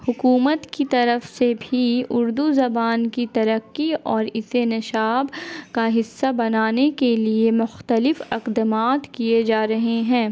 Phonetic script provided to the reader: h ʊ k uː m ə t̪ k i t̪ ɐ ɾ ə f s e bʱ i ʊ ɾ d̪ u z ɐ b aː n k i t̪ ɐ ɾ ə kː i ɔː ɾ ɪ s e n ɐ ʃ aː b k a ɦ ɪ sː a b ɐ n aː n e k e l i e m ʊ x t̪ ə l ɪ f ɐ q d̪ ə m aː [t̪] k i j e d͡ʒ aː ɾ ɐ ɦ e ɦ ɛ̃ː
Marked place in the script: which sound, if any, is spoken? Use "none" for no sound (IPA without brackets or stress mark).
t̪